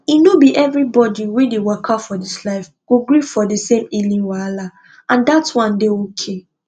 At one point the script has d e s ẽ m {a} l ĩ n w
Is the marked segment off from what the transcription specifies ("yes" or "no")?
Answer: yes